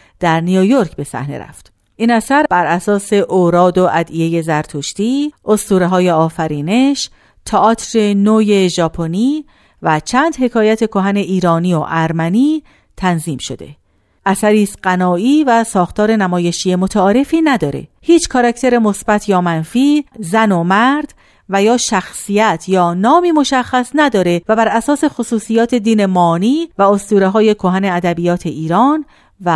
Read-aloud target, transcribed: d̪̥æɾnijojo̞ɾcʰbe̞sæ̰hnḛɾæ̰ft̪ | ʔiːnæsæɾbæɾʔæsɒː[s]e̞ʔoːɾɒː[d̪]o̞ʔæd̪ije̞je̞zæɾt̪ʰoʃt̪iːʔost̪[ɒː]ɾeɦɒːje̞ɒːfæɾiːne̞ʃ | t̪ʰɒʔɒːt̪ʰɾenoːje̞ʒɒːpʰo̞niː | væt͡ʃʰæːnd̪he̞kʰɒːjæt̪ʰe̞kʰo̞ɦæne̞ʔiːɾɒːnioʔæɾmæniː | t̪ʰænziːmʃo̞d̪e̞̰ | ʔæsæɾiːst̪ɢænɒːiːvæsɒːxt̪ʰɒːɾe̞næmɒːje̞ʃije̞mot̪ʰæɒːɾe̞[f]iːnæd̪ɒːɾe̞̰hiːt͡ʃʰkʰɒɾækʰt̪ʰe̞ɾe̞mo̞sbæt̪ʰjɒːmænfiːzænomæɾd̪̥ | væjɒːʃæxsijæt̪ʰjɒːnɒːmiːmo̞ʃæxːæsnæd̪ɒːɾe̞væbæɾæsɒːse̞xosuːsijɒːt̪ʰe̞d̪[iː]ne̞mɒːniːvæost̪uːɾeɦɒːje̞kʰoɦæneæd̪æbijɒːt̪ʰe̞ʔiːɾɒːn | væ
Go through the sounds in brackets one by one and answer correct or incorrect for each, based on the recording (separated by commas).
correct, correct, incorrect, correct, correct